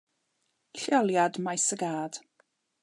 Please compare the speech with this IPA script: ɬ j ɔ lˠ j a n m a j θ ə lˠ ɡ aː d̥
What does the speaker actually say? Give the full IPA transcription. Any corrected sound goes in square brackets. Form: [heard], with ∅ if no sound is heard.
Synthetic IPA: ɬ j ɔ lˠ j a [d] m a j [s] ə [∅] ɡ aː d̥